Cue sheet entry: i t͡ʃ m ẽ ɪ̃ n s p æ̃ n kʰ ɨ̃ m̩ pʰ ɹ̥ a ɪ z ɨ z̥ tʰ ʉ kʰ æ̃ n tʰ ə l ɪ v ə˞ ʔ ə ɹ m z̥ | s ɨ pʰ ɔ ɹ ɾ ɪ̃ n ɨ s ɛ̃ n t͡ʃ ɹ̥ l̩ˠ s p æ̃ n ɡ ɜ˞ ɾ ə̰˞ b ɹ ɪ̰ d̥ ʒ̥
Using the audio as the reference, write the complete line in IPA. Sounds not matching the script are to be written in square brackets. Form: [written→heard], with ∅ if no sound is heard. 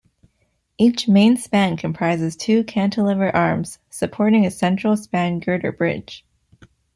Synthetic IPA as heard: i t͡ʃ m ẽ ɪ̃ n s p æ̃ n kʰ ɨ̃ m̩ pʰ ɹ̥ a ɪ z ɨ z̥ tʰ ʉ kʰ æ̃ n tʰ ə l ɪ v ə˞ ʔ [ə→ɑ] ɹ m z̥ | s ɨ pʰ ɔ ɹ ɾ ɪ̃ [n→ŋ] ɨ s ɛ̃ n t͡ʃ ɹ̥ l̩ˠ s p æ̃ n ɡ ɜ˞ ɾ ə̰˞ b ɹ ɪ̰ d̥ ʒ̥